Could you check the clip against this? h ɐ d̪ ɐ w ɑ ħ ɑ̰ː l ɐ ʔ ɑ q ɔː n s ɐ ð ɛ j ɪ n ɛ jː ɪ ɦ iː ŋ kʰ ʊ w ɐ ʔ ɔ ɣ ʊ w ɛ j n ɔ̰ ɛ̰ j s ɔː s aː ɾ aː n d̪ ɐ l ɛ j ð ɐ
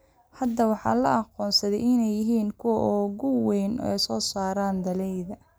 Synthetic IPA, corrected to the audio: h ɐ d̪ ɐ w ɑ ħ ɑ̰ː l ɐ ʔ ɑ q ɔː n s ɐ ð ɛ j ɪ n ɛ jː ɪ ɦ iː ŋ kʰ ʊ w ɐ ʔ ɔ ɣ ʊ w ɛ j n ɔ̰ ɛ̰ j s ɔː s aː ɾ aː n d̪ ɐ l ɛ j ð ɐ